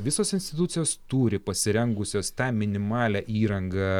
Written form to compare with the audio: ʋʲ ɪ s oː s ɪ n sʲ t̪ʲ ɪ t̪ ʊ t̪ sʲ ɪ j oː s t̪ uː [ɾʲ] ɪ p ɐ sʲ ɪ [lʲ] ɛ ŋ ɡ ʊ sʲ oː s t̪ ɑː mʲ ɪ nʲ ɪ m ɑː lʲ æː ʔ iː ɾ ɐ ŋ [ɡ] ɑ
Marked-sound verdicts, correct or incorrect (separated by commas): correct, incorrect, correct